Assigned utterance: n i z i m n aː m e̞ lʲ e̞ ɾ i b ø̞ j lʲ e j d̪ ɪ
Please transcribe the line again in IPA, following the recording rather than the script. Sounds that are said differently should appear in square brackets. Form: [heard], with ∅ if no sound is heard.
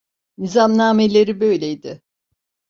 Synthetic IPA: n i z [a] m n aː m e̞ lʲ e̞ ɾ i b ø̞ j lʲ e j d̪ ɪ